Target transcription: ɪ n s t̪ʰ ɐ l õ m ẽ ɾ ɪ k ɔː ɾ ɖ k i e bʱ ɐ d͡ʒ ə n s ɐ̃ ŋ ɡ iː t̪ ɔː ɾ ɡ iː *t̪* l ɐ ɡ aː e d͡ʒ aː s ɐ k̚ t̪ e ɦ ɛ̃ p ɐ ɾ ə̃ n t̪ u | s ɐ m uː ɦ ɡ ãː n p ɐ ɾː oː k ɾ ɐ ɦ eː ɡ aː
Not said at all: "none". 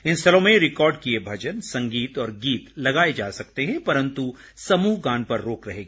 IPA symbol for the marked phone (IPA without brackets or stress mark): t̪